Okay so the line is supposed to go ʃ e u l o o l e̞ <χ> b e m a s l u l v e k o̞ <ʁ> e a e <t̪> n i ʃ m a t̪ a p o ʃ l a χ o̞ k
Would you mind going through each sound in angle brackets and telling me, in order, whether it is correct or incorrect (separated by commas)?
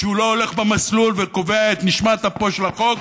correct, incorrect, correct